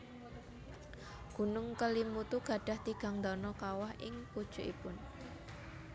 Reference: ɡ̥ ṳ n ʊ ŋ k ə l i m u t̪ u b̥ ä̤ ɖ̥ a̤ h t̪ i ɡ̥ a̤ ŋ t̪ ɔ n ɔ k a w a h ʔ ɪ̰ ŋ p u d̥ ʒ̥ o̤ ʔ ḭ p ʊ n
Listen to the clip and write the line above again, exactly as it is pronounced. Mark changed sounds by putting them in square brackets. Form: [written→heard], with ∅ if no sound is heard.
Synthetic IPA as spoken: ɡ̥ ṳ n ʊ ŋ k ə l i m u t̪ u [b̥→ɡ̥] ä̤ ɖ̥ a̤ h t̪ i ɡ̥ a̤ ŋ [t̪→d̪] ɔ n ɔ k a w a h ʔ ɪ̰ ŋ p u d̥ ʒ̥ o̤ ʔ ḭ p ʊ n